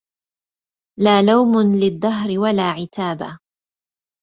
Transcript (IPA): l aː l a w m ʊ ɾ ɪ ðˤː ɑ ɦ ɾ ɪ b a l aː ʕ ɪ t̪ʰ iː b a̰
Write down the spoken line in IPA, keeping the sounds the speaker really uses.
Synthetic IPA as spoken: l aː l a w m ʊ l ɪ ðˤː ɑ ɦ ɾ ɪ w a l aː ʕ ɪ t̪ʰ aː b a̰

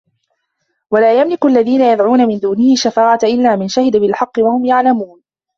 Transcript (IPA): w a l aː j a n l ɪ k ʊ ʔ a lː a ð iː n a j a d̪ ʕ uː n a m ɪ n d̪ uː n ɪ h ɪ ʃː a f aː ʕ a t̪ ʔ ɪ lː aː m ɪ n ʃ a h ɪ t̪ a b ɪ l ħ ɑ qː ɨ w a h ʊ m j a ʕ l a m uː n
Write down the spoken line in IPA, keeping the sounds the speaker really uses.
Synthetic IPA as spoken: w a l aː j a m l ɪ k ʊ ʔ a lː a ð iː n a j a d̪ ʕ uː n a m ɪ n d̪ uː n ɪ h ɪ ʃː a f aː ʕ a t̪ ʔ ɪ lː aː m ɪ n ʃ a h ɪ d̪ a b ɪ l ħ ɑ qː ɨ w a h ʊ m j a ʕ l a m uː n

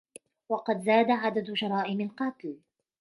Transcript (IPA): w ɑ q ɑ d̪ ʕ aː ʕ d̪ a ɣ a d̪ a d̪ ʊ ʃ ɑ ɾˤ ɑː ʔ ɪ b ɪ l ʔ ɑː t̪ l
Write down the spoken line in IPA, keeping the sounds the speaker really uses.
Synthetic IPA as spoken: w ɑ q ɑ d̪ z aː d̪ a ʕ a d̪ a d̪ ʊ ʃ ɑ ɾˤ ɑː ʔ ɪ m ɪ l q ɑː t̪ l

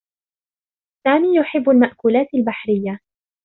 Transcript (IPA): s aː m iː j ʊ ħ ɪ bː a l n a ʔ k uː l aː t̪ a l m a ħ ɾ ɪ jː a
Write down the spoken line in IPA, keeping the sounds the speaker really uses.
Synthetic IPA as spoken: s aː m iː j ʊ ħ ɪ bː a l m a ʔ k uː l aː t̪ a l b a ħ ɾ ɪ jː a

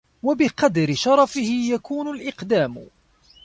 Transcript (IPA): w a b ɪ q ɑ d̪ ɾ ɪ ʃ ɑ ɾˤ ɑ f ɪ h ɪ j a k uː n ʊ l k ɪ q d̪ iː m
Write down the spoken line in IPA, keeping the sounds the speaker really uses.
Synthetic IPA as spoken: w a b ɪ q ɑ d̪ ɾ ɪ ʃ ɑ ɾˤ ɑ f ɪ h ɪ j a k uː n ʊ l ʔ ɪ q d̪ aː m

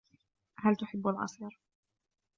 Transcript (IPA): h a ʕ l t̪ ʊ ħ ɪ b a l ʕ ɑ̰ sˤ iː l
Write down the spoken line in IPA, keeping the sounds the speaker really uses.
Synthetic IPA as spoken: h a l t̪ ʊ ħ ɪ bː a l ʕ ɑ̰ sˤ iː ɾ

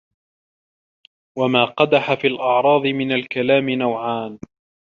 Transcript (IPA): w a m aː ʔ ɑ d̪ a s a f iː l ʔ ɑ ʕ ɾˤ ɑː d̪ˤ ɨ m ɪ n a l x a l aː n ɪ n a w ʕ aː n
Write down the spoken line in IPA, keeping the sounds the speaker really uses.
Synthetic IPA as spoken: w a m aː q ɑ d̪ a ħ a f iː l ʔ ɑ ʕ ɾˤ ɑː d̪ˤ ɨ m ɪ n a l k a l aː m ɪ n a w ʕ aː n

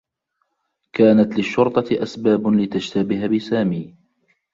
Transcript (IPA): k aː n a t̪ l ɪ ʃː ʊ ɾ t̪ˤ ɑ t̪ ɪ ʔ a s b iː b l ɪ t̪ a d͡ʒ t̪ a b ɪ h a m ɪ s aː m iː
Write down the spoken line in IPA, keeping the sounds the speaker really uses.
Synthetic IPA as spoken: k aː n a t̪ l ɪ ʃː ʊ ɾ t̪ˤ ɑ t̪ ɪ ʔ a s b aː b l ɪ t̪ a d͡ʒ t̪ a b ɪ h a b ɪ s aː m iː

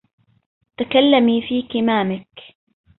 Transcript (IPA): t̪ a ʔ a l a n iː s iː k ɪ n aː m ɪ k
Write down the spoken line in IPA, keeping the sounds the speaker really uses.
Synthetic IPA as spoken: t̪ a k a lː a m iː f iː k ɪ m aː m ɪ k

